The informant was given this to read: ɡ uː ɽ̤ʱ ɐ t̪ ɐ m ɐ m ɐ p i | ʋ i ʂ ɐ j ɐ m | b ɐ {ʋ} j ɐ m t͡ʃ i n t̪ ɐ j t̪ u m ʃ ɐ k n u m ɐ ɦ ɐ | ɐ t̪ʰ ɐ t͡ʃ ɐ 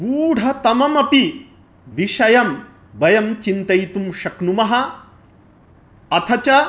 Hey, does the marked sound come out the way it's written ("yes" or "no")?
no